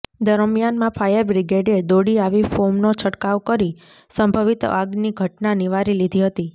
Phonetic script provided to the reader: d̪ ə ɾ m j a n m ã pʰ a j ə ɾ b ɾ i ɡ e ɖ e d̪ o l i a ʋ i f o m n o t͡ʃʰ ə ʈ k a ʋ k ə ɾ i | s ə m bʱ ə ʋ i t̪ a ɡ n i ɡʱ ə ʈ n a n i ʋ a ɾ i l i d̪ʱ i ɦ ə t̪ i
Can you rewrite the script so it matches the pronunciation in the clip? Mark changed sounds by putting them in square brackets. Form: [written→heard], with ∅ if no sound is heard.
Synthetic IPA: d̪ ə ɾ m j a n m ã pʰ a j ə ɾ b ɾ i ɡ e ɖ e d̪ o [l→ɽ] i a ʋ i f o m n o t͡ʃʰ ə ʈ k a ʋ k ə ɾ i | s ə m bʱ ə ʋ i t̪ a ɡ n i ɡʱ ə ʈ n a n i ʋ a ɾ i l i d̪ʱ i ɦ ə t̪ i